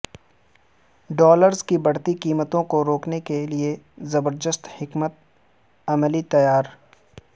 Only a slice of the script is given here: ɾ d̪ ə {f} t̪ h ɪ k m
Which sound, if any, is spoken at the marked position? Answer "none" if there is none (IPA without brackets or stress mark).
s